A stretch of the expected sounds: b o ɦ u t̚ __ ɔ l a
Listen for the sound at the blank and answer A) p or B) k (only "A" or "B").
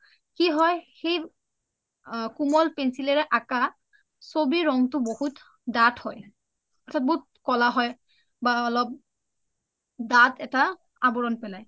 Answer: B